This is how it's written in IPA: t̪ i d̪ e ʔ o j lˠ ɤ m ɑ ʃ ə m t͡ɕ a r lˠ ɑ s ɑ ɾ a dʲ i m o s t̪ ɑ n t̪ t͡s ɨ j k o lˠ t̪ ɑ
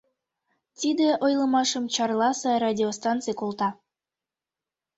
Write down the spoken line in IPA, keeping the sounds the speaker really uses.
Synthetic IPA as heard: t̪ i d̪ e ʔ o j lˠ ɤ m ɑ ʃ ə m t͡ɕ ɑ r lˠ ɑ s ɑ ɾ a dʲ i o s t̪ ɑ n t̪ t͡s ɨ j k o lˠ t̪ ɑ